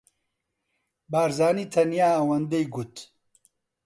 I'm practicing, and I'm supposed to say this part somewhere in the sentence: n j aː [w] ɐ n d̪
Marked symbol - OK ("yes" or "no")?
yes